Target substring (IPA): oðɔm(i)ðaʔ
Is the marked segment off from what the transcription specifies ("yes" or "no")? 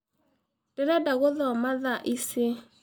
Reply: yes